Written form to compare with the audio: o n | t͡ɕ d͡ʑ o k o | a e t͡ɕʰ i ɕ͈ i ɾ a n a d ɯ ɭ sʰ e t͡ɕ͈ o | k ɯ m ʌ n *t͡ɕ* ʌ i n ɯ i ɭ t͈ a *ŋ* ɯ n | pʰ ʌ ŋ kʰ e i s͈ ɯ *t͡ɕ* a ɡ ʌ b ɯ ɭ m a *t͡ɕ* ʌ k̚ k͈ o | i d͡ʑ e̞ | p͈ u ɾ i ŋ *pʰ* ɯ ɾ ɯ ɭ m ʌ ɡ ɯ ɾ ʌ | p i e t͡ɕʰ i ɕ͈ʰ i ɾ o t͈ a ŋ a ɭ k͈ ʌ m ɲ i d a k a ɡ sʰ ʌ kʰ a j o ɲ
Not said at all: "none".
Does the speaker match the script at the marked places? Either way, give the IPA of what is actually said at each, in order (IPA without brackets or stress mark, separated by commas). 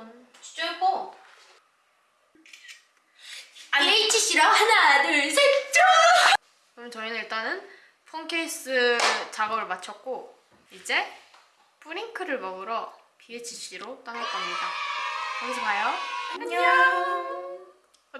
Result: t͡ɕ, n, t͡ɕ, t͡ɕʰ, kʰ